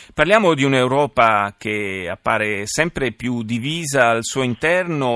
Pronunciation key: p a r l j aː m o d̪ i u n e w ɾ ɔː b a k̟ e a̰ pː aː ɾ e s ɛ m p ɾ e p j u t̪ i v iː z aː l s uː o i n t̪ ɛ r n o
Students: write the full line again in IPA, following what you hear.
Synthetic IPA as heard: p a r l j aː m o d̪ i u n e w ɾ ɔː p a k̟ e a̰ pː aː ɾ e s ɛ m p ɾ e p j u d̪ i v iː z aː l s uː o i n t̪ ɛ r n o